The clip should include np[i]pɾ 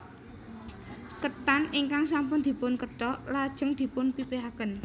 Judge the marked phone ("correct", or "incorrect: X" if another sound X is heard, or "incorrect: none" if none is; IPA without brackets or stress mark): correct